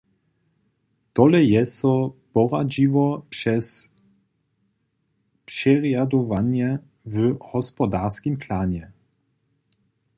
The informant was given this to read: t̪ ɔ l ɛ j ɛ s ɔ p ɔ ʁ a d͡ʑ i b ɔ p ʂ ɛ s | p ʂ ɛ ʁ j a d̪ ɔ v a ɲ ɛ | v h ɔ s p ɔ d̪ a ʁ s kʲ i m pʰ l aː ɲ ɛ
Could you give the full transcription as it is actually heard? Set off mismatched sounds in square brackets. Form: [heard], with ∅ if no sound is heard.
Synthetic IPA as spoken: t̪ ɔ l ɛ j ɛ s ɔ p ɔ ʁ a d͡ʑ i [v] ɔ p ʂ ɛ s | p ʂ ɛ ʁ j a d̪ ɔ v a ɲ ɛ | v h ɔ s p ɔ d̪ a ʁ s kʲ i m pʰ l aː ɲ ɛ